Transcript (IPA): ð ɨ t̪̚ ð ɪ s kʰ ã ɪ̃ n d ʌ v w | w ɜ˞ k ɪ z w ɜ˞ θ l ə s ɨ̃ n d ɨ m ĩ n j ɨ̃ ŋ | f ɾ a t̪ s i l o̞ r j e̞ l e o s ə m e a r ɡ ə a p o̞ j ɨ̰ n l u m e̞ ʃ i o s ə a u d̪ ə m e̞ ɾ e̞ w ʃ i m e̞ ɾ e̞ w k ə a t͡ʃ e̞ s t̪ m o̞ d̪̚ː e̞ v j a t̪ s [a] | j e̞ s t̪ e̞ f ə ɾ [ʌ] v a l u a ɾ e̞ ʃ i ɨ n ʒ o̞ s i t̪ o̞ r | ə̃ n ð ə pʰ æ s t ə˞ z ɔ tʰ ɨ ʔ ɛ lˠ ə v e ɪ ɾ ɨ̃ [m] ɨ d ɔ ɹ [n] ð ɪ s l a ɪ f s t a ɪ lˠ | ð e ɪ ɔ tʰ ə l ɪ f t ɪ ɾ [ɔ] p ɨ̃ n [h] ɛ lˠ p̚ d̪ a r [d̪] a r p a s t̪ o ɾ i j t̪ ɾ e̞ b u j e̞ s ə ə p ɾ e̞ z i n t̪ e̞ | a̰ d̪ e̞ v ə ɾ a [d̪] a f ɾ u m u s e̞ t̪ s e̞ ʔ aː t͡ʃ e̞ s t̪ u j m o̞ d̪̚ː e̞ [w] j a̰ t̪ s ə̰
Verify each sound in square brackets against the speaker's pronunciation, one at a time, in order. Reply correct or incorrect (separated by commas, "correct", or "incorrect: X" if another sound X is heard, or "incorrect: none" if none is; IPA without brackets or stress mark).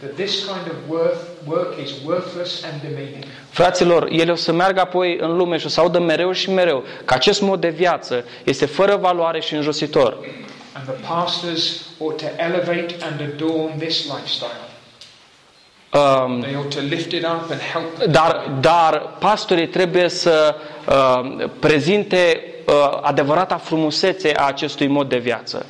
incorrect: ə, incorrect: ə, incorrect: n, correct, incorrect: ʌ, correct, correct, incorrect: t̪, incorrect: v